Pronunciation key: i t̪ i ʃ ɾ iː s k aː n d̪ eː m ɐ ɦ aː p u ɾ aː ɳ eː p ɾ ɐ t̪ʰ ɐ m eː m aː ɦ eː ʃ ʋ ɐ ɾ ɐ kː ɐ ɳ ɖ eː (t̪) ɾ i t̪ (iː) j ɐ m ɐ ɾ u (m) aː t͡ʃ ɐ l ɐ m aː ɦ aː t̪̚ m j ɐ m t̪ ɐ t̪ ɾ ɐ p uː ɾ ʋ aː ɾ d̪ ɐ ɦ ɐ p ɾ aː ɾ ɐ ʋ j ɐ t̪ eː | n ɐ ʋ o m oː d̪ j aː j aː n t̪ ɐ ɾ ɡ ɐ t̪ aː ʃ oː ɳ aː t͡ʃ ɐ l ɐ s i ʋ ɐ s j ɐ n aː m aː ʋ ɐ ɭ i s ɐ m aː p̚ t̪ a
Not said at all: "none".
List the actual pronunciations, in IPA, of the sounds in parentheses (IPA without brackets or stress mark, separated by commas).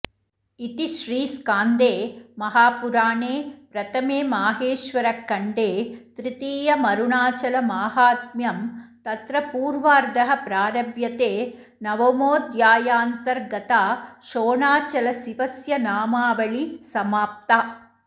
t̪, iː, ɳ